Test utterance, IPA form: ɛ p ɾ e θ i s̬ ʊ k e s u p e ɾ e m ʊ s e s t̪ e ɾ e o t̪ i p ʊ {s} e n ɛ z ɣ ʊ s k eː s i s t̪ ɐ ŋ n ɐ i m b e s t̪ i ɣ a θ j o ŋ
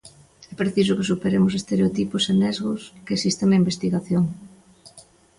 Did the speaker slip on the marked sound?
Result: no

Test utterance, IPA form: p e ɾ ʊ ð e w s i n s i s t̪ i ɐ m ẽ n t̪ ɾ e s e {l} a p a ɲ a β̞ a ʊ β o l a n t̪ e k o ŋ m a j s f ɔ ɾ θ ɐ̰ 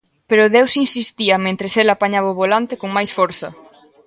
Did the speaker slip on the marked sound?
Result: no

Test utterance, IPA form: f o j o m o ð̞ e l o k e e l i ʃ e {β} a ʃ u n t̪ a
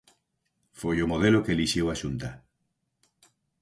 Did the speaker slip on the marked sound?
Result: yes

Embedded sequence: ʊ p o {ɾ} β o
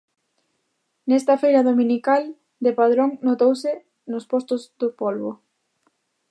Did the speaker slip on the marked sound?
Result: yes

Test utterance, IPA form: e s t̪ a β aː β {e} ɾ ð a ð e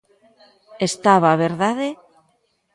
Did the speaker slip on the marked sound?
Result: no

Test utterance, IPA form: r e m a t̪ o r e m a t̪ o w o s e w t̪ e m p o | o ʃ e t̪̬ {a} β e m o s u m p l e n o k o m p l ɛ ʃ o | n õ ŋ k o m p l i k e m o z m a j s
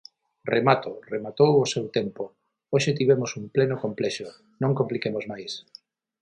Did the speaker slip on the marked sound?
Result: yes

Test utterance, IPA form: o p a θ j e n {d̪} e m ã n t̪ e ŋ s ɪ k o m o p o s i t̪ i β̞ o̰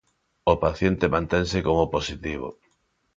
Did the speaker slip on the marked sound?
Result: yes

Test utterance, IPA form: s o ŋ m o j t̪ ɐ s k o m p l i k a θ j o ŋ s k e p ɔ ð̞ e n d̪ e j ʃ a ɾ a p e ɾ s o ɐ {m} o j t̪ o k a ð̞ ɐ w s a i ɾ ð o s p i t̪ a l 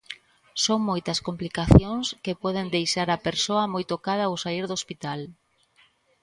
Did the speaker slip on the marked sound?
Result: no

